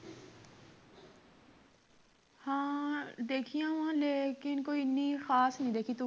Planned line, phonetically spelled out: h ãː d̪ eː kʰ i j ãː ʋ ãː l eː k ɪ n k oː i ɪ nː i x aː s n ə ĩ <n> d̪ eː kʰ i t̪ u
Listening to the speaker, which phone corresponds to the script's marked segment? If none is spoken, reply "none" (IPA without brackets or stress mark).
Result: none